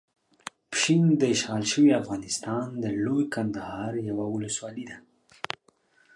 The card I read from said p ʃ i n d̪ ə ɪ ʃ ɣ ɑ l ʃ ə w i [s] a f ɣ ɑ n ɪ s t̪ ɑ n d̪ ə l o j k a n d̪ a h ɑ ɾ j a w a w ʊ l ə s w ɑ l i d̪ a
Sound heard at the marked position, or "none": none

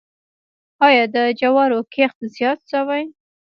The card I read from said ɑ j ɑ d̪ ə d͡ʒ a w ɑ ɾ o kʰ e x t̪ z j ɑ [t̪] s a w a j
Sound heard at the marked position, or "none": t̪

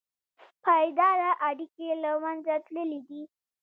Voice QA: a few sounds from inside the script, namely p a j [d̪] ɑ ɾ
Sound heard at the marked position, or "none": d̪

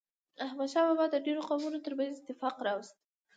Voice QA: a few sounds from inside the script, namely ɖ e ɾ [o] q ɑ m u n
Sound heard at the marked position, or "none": o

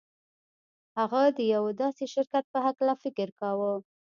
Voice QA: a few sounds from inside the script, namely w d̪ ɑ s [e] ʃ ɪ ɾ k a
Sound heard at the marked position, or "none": e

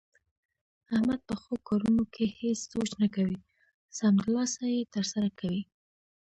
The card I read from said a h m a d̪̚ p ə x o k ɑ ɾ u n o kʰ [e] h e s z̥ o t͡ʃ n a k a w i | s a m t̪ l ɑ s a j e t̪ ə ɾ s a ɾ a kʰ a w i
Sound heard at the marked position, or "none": e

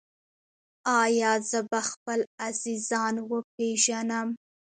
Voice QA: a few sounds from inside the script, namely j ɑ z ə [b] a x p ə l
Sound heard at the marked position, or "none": b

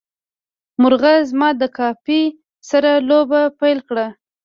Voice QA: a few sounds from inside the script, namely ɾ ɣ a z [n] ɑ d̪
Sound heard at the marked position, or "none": m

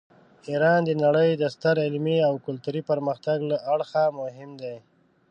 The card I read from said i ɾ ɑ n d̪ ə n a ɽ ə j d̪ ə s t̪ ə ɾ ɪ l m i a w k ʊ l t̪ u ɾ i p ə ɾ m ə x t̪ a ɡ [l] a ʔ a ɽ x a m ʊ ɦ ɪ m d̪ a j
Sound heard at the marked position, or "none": l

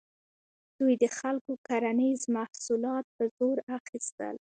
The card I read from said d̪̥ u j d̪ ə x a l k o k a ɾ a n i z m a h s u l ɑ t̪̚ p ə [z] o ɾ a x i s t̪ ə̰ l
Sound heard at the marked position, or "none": z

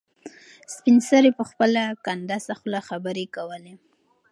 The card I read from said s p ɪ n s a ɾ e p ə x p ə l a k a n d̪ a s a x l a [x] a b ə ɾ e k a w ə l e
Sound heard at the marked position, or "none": x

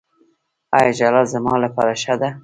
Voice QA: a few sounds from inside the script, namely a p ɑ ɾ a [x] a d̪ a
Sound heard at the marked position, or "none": ʃ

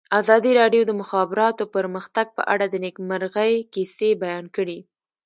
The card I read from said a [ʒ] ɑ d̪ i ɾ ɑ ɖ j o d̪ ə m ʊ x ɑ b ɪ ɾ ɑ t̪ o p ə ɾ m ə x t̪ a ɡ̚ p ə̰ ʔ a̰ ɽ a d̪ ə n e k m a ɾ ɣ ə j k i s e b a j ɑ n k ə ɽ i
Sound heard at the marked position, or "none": z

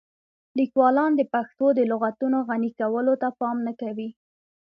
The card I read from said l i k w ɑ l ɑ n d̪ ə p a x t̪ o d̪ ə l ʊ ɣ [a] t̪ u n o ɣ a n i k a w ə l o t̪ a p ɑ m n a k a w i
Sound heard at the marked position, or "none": a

